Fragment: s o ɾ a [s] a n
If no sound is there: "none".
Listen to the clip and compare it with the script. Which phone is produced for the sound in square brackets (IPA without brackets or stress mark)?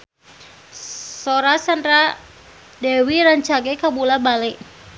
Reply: s